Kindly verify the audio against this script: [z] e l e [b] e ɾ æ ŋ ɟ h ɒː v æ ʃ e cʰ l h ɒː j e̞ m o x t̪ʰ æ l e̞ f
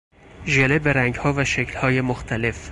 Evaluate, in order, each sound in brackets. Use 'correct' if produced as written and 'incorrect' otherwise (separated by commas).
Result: incorrect, correct